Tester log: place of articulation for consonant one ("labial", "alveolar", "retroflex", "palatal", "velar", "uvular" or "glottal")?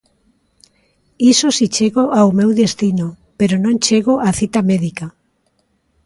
alveolar